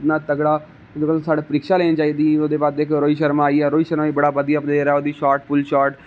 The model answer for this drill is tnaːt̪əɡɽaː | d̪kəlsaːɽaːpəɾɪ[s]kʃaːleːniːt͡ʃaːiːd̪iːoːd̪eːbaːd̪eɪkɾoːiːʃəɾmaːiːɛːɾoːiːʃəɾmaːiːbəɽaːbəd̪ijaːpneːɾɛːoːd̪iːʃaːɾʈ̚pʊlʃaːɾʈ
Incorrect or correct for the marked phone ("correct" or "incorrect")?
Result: incorrect